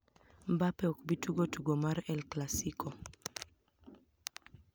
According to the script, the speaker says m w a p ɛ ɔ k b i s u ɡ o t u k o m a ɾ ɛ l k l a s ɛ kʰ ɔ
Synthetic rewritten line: m b a p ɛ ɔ k b i t u ɡ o t u ɡ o m a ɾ ɛ l k l a s i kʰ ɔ